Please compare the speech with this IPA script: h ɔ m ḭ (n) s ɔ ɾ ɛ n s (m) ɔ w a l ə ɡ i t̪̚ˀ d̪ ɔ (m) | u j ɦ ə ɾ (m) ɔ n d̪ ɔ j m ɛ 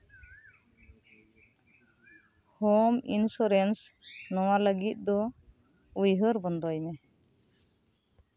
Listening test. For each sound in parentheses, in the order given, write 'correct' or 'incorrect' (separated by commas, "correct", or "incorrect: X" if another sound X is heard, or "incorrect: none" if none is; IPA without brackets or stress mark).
correct, incorrect: n, incorrect: none, incorrect: b